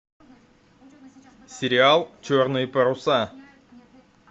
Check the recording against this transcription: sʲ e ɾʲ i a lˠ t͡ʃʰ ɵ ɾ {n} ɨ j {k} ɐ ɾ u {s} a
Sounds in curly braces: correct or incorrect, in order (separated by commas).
correct, incorrect, correct